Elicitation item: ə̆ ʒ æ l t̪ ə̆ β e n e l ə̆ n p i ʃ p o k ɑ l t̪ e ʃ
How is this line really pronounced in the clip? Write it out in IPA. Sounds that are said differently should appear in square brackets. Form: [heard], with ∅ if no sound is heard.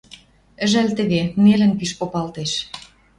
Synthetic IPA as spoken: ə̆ ʒ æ l t̪ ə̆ β e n e l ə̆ n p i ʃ p o [p] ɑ l t̪ e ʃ